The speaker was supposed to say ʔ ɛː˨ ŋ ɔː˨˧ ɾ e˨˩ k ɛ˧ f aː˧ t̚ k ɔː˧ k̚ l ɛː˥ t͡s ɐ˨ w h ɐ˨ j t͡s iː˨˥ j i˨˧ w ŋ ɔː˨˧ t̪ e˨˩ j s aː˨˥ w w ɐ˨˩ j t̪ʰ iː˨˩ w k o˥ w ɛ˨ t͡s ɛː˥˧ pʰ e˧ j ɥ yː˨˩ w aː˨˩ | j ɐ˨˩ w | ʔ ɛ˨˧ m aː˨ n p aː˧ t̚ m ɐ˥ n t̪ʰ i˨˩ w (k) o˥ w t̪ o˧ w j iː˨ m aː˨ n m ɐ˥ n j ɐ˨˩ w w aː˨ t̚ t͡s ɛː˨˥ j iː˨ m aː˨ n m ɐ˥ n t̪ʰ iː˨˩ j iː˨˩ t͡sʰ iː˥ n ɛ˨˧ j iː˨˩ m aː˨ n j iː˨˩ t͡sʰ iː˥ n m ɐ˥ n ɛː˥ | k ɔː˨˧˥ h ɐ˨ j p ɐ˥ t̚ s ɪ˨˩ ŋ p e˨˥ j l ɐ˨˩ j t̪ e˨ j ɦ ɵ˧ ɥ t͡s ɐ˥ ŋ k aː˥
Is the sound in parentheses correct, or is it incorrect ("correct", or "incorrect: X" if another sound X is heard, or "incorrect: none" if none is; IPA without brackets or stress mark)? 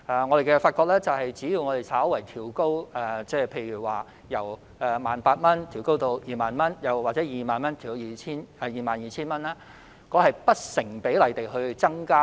correct